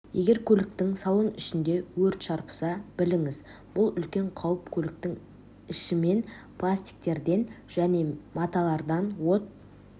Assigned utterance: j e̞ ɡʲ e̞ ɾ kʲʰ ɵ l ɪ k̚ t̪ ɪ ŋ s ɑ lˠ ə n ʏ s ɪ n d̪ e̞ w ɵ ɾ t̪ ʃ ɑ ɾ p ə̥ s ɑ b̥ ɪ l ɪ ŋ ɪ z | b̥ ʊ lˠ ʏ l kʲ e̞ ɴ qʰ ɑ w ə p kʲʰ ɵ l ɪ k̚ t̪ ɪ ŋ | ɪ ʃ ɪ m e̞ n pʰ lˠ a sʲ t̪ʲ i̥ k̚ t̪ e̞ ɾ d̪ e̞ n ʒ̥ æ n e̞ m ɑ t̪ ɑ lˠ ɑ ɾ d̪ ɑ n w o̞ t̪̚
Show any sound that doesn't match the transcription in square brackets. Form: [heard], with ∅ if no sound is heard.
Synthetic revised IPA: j e̞ ɡʲ e̞ ɾ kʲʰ ɵ l ɪ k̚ t̪ ɪ ŋ s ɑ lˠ ə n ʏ [ʃ] ɪ n d̪ e̞ w ɵ ɾ t̪ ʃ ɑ ɾ p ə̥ s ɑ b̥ ɪ l ɪ ŋ ɪ z | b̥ ʊ lˠ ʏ l kʲ e̞ ɴ qʰ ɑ w ə p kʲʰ ɵ l ɪ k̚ t̪ ɪ ŋ | ɪ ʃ ɪ m e̞ n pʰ lˠ a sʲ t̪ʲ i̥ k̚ t̪ e̞ ɾ d̪ e̞ n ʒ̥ æ n e̞ m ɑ t̪ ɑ lˠ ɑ ɾ d̪ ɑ n w o̞ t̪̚